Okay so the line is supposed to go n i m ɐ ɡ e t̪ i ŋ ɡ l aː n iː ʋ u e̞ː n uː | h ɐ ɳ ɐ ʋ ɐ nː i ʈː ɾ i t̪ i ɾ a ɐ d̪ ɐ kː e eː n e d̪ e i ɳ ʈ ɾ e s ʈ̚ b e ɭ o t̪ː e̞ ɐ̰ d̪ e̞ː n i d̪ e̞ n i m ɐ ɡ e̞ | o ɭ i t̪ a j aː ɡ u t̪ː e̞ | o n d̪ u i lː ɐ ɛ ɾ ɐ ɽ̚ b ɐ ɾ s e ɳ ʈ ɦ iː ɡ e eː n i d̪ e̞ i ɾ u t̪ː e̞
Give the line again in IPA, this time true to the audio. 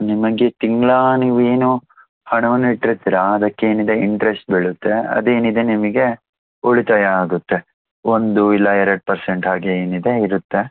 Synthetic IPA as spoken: n i m ɐ ɡ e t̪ i ŋ ɡ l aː n iː ʋ u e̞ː n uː | h ɐ ɳ ɐ ʋ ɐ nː i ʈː ɾ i t̪ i ɾ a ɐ d̪ ɐ kː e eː n i d̪ e i ɳ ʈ ɾ e s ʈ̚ b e ɭ u t̪ː e̞ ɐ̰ d̪ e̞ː n i d̪ e̞ n i m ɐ ɡ e̞ | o ɭ i t̪ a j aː ɡ u t̪ː e̞ | o n d̪ u i lː ɐ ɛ ɾ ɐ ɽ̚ p ɐ ɾ s e ɳ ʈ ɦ aː ɡ e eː n i d̪ e̞ i ɾ u t̪ː e̞